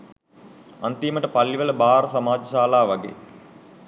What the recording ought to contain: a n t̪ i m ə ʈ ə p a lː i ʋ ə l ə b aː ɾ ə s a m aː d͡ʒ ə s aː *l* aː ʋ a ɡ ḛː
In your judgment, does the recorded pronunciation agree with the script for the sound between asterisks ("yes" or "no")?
yes